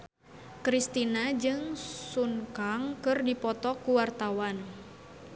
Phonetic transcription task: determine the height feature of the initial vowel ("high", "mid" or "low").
high